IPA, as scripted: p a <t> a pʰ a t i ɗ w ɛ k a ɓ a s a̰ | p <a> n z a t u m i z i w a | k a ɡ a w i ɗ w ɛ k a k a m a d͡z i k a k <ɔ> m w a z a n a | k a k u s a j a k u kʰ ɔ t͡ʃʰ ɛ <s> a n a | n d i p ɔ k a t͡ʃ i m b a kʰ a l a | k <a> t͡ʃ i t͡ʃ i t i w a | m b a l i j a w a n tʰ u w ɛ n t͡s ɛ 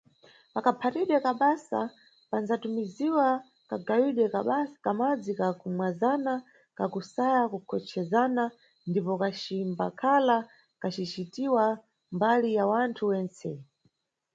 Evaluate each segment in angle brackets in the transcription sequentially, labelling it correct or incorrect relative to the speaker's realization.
incorrect: k, correct, incorrect: u, incorrect: z, correct

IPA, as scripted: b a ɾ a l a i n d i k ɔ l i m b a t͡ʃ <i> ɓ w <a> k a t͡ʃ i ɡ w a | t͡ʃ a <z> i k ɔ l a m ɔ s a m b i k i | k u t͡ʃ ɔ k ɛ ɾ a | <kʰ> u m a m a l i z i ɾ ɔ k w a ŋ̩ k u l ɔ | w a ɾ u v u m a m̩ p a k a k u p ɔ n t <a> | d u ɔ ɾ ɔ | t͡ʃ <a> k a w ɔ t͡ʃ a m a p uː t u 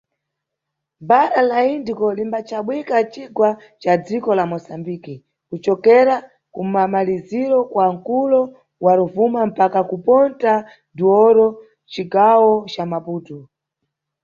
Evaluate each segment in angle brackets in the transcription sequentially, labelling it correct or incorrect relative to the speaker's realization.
incorrect: a, incorrect: i, incorrect: d͡z, incorrect: k, correct, incorrect: i

